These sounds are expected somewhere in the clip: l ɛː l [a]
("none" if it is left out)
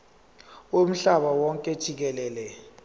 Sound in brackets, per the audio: ɛ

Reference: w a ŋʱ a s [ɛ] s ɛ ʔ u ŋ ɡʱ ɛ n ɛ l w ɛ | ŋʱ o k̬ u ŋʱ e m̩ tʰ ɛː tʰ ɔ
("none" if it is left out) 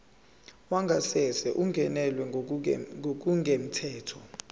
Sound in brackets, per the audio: ɛ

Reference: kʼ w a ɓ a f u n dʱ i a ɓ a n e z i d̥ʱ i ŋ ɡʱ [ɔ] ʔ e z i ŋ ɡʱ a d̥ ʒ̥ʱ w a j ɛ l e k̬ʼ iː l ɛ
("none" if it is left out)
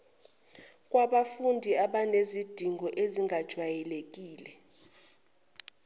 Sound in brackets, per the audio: ɔ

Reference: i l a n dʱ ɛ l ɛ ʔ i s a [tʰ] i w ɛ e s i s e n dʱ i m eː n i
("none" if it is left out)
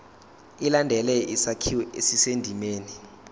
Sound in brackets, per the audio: kʰ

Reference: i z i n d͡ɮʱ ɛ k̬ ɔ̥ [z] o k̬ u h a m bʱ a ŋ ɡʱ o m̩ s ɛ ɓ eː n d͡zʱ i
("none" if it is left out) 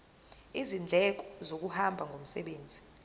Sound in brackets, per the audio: z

